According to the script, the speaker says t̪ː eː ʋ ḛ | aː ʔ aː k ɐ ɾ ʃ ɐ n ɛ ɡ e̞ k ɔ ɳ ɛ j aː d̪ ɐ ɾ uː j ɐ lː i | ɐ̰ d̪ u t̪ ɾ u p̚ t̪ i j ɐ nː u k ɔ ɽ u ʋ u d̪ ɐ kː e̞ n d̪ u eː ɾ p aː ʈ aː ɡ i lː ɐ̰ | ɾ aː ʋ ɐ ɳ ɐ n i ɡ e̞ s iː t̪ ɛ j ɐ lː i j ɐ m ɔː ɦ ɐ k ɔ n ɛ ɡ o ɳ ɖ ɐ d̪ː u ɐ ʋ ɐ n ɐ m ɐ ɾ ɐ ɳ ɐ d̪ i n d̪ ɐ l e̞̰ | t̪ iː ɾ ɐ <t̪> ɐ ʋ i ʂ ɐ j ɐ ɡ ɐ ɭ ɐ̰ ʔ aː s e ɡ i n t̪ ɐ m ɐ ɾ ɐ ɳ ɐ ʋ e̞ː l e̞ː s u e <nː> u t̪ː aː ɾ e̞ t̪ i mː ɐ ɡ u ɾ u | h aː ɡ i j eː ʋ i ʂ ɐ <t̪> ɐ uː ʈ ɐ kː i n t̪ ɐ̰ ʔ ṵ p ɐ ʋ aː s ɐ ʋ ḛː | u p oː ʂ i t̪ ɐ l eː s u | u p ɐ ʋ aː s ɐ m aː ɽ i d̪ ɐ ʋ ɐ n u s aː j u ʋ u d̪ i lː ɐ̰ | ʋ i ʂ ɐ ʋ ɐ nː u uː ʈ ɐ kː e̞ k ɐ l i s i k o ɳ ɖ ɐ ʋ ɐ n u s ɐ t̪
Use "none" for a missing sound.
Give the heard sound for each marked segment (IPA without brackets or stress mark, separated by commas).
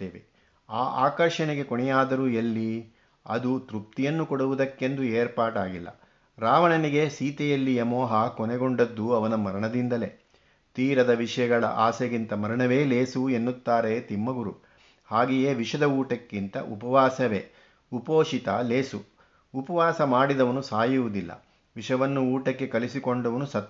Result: d̪, nː, d̪